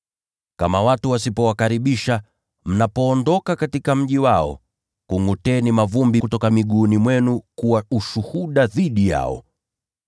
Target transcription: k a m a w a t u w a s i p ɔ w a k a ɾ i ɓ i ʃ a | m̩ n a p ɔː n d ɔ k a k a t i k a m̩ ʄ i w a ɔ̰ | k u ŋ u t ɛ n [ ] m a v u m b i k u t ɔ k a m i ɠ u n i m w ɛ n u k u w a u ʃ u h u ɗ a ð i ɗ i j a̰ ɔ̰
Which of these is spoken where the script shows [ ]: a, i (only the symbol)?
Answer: i